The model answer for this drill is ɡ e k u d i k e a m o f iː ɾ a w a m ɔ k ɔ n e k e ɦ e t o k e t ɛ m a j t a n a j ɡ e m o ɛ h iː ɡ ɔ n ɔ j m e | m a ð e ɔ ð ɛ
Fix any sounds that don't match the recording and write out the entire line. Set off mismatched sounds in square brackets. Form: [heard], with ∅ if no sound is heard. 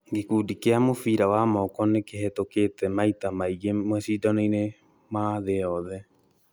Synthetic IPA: ɡ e k u d i k e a m o f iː ɾ a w a m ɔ k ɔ n e k e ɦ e t o k e t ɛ m a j t a [m] a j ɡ e m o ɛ [s] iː [d] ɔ n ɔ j [n] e | m a ð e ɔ ð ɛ